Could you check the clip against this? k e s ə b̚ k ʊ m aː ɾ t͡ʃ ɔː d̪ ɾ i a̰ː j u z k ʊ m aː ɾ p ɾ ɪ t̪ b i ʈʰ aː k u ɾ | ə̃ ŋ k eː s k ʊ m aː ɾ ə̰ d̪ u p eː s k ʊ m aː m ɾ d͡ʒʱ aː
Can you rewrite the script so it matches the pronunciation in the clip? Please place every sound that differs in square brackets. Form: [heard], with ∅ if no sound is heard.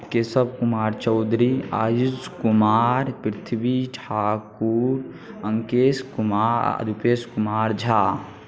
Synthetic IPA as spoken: k e s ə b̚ k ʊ m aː ɾ t͡ʃ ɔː d̪ ɾ i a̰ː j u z k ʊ m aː ɾ p ɾ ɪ [t̪ʰ] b i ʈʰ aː k u ɾ | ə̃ ŋ k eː s k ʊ m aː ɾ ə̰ d̪ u p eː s k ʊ m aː [∅] ɾ d͡ʒʱ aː